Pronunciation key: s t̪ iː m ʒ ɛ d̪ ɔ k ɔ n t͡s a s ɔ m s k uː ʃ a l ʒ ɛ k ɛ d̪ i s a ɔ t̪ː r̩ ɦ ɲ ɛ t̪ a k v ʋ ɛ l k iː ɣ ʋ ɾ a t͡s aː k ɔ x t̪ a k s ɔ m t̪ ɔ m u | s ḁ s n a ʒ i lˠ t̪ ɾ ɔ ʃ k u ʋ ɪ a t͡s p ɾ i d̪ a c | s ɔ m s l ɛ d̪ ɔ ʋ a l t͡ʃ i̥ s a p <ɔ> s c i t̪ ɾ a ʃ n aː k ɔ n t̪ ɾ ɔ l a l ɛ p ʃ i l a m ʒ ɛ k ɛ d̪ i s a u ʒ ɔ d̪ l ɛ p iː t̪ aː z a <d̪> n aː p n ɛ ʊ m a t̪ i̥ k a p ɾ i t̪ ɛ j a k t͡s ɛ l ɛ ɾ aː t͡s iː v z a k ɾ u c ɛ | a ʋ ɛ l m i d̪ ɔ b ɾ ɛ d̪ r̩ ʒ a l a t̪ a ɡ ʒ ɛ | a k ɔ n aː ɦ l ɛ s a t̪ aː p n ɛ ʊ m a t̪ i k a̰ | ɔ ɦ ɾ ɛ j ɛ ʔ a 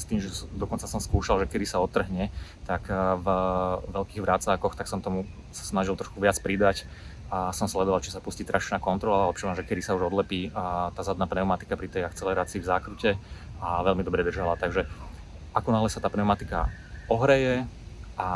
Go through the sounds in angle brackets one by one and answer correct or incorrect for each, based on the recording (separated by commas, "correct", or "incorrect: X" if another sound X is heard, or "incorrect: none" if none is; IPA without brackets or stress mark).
incorrect: u, correct